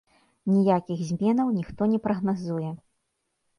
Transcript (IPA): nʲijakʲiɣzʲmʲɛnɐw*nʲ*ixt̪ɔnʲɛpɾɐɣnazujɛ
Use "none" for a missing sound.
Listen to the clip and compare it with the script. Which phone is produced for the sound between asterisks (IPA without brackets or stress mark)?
nʲ